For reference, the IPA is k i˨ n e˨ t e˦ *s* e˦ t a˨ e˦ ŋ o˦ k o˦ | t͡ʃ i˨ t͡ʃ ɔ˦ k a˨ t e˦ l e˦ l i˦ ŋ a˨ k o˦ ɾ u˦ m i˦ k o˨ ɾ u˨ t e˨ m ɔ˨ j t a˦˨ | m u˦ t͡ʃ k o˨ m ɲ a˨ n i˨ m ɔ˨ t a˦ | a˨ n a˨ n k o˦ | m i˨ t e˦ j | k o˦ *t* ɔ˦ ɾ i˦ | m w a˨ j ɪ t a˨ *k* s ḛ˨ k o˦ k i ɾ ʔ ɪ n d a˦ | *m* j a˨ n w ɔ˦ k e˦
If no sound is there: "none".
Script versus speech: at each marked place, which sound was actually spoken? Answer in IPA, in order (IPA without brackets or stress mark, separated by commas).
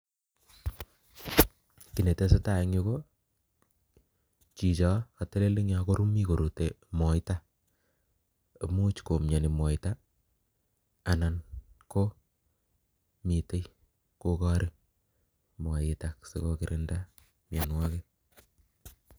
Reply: s, k, k, m